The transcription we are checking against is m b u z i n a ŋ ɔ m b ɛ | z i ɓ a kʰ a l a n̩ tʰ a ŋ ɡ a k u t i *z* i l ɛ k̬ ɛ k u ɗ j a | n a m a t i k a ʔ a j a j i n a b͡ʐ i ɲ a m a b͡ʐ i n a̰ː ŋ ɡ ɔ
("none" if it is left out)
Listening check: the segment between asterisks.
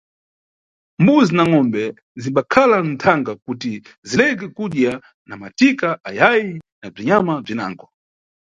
z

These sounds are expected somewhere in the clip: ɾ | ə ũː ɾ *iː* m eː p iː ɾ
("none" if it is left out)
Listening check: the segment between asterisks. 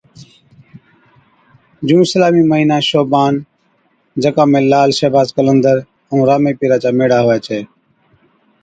aː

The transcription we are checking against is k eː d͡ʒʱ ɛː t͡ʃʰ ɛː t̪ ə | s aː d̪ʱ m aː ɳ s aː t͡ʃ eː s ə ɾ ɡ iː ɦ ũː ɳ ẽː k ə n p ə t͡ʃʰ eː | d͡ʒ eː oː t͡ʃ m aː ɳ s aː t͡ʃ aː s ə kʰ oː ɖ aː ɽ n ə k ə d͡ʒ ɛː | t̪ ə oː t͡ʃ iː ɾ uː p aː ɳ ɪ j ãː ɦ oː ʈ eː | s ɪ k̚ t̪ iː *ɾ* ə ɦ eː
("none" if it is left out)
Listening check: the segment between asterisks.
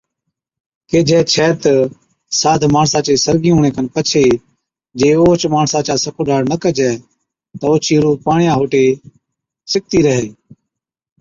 ɾ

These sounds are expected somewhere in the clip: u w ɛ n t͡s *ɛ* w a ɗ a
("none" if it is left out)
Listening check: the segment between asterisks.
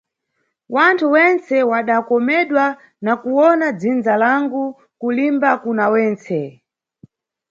ɛ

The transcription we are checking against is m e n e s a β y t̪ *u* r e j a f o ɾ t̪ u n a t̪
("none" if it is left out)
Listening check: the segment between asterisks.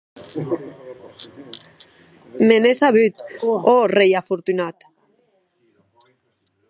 o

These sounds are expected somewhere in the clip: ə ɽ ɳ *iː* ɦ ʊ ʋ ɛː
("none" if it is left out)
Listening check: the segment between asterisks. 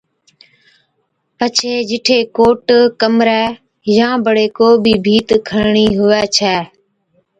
iː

